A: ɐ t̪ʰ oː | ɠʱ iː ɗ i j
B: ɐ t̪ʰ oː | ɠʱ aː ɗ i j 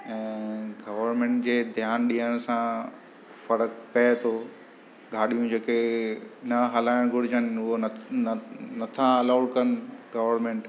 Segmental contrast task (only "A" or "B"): B